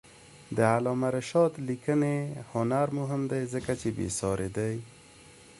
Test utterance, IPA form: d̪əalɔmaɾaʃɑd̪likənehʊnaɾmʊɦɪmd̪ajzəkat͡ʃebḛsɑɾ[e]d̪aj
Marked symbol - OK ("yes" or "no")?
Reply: yes